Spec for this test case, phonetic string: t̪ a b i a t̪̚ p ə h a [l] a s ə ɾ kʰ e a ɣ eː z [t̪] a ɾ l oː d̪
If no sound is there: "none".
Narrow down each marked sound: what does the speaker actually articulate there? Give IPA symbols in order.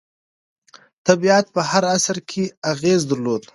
ɾ, d̪

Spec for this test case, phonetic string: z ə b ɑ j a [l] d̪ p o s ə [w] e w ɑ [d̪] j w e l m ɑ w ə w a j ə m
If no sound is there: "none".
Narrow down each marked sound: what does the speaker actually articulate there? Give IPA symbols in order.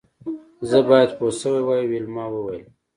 none, w, none

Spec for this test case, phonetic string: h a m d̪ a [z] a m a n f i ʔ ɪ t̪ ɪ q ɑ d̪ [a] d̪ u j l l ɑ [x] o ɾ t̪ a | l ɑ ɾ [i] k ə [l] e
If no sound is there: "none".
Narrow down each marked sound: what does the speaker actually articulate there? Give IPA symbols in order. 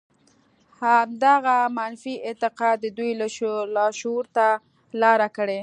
ɣ, ə, ʃ, a, ɽ

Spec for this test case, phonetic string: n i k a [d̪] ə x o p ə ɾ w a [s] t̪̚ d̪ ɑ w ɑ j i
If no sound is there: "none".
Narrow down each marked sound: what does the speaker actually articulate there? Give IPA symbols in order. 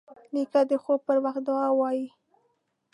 d̪, x

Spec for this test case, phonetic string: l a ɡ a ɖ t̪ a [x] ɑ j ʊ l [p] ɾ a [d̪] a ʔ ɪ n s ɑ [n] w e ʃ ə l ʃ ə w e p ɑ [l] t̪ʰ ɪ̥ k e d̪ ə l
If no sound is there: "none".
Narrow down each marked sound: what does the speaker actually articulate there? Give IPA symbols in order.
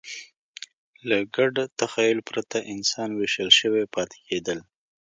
x, p, t̪, n, none

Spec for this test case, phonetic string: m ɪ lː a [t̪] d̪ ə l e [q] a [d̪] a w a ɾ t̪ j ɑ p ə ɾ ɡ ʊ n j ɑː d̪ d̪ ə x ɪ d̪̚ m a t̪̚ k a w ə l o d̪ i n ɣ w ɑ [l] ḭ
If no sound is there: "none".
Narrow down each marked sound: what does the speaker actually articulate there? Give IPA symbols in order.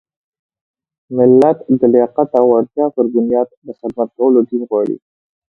t̪, q, t̪, ɽ

